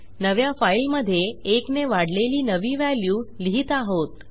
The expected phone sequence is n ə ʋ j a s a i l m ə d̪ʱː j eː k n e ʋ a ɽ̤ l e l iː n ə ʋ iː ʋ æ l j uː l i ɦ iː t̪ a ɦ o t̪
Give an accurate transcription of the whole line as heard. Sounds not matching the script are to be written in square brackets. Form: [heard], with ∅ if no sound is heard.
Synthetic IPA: n ə ʋ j a [f] a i l m ə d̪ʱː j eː k n e ʋ a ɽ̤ l e l iː n ə ʋ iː ʋ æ l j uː l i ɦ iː t̪ a ɦ o t̪